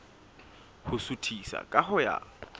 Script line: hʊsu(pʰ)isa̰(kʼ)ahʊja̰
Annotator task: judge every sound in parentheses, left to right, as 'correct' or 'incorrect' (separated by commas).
incorrect, correct